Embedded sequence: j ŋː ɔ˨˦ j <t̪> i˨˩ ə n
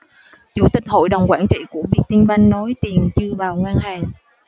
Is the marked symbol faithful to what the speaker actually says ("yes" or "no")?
yes